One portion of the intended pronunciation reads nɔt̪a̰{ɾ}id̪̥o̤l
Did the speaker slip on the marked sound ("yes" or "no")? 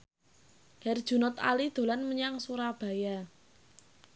yes